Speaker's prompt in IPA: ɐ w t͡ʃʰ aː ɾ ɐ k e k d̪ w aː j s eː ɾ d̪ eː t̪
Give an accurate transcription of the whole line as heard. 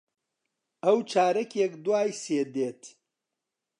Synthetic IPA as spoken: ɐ w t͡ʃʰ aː ɾ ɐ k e k d̪ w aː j s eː d̪ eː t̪